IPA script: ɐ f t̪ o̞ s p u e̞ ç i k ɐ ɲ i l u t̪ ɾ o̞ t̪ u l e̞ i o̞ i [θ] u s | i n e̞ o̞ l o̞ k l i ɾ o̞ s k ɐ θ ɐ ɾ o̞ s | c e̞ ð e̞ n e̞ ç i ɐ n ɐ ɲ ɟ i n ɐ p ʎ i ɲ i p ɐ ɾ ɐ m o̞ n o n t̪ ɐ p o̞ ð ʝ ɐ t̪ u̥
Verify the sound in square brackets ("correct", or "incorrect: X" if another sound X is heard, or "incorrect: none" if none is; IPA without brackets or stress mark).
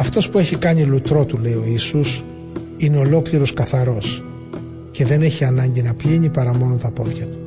incorrect: s